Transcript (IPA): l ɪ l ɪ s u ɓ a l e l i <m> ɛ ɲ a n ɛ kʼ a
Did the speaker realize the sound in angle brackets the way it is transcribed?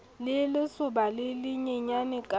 no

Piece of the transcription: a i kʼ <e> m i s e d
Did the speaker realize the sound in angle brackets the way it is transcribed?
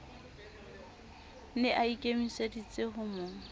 yes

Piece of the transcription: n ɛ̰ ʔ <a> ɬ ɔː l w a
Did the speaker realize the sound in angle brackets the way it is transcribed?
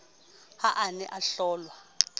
yes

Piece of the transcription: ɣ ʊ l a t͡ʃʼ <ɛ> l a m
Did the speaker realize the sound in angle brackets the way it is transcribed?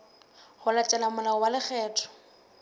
yes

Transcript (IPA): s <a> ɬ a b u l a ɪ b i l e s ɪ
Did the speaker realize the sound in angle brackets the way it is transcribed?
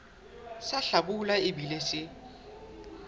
yes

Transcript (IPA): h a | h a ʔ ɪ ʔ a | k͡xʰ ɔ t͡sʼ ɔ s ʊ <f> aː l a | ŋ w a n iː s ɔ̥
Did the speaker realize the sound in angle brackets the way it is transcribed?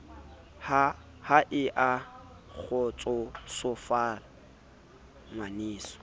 yes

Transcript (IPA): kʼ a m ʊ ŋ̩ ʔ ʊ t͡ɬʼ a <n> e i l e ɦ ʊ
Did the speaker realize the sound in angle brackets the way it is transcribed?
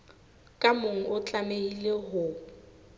no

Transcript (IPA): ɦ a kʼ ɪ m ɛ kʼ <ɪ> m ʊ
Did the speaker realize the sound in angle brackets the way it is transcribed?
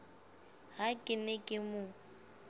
yes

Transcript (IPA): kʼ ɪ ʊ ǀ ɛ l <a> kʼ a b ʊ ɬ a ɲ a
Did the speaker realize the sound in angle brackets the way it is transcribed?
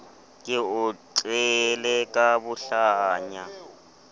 no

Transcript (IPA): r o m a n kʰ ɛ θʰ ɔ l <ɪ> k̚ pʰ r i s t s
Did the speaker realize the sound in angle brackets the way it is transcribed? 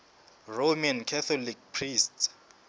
no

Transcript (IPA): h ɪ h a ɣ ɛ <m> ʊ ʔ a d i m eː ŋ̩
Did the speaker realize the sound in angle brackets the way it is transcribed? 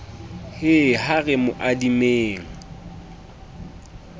yes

